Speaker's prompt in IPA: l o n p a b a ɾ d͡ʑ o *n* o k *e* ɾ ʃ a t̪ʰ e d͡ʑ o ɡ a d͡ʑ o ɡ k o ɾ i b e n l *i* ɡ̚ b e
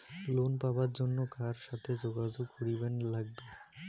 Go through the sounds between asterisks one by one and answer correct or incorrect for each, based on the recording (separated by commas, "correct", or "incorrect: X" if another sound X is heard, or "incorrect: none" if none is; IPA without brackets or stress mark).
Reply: incorrect: nː, incorrect: a, incorrect: a